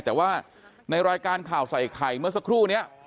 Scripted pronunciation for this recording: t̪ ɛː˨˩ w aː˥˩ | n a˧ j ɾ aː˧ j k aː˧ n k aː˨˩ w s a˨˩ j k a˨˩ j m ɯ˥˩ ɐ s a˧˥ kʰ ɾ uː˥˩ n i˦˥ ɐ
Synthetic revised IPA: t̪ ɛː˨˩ w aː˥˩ | n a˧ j ɾ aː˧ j k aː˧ n kʰ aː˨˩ w s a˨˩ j kʰ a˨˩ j m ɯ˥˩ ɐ s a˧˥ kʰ ɾ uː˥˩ n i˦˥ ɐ